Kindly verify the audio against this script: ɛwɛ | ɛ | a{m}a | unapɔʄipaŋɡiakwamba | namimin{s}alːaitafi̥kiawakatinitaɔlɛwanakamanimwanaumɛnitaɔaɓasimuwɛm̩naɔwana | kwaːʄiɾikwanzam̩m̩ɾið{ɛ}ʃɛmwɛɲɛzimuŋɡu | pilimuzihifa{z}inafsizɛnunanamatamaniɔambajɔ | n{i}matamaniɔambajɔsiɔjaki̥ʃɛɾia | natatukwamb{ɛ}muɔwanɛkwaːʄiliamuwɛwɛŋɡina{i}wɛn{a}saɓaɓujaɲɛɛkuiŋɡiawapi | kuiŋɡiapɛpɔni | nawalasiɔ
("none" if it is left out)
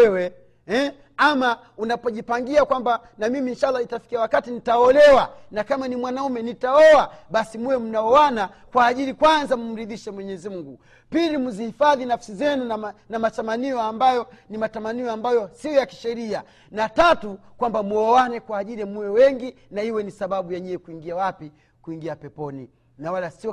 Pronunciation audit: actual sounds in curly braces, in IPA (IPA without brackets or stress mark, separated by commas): m, ʃ, i, ð, i, a, i, i